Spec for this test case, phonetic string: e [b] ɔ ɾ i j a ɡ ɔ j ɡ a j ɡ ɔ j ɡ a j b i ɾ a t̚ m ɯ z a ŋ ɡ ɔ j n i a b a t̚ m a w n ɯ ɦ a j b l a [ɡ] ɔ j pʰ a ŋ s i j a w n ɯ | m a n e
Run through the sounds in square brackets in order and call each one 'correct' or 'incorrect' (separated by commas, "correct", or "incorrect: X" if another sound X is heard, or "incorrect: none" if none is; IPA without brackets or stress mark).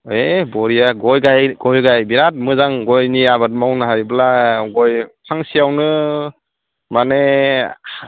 correct, correct